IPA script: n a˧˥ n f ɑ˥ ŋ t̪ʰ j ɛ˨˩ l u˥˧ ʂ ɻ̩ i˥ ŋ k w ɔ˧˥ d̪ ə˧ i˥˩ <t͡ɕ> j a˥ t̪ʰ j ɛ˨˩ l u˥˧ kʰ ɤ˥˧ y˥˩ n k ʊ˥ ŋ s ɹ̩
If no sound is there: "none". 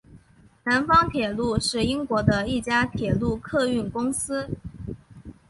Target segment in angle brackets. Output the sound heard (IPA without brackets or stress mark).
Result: t͡ɕ